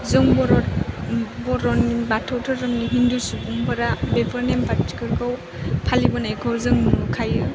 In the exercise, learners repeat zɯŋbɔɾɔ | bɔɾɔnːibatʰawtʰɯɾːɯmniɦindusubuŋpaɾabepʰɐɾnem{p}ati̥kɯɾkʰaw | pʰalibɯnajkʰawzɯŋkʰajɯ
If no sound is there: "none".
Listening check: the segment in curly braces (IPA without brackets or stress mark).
p